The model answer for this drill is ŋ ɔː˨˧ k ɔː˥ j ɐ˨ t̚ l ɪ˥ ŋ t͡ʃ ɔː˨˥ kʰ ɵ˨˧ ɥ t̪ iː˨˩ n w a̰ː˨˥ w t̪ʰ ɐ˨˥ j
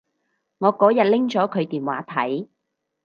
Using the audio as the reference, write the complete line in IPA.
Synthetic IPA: ŋ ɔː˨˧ k ɔː˨˥ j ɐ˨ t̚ l ɪ˥ ŋ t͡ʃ ɔː˨˥ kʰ ɵ˨˧ ɥ t̪ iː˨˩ n w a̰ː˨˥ t̪ʰ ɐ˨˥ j